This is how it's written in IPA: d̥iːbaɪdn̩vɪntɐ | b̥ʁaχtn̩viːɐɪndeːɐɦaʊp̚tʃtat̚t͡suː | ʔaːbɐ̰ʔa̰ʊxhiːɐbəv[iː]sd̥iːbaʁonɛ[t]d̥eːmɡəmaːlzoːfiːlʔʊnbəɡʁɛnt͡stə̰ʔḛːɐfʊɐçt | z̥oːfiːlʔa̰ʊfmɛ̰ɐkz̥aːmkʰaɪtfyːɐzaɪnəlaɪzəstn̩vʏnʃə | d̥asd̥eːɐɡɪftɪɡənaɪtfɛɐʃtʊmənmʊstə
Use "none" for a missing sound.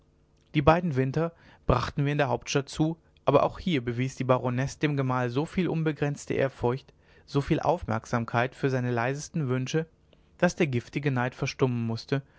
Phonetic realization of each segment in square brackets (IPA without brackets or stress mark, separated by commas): iː, s